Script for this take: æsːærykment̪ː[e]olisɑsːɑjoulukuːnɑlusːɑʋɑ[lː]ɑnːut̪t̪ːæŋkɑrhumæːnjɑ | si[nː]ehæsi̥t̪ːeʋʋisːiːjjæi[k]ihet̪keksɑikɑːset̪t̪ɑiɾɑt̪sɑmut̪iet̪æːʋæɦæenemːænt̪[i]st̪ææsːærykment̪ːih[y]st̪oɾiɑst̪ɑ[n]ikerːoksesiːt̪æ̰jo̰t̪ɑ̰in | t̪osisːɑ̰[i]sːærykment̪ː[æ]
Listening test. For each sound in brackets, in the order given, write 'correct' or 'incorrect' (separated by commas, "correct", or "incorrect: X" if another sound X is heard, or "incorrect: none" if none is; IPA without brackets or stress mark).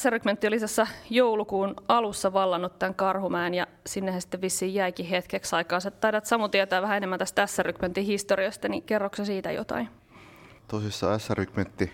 incorrect: i, correct, correct, correct, incorrect: æ, incorrect: i, correct, incorrect: æ, incorrect: i